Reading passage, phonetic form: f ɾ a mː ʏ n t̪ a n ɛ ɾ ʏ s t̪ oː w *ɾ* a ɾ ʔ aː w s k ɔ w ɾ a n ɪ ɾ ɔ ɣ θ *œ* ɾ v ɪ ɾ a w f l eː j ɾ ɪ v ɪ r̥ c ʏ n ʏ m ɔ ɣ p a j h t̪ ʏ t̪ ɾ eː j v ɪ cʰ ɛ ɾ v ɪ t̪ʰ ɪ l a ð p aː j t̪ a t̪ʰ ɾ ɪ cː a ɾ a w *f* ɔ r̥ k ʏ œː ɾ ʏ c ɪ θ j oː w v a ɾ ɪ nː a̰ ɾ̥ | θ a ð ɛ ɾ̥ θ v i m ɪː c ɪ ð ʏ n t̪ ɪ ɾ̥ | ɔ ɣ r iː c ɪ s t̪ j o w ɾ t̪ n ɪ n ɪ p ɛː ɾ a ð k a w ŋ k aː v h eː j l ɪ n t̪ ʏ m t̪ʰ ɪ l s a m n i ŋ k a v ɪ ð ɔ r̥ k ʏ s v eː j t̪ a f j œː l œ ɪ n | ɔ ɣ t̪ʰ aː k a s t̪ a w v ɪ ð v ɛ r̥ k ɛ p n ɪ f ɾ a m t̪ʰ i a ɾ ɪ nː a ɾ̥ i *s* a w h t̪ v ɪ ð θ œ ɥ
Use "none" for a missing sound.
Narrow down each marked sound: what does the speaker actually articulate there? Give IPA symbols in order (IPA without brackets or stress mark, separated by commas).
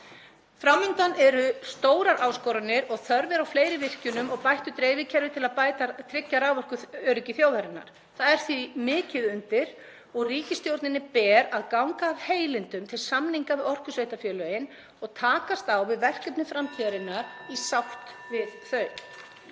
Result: ɾ, œ, v, s